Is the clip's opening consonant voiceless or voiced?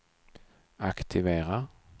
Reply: voiceless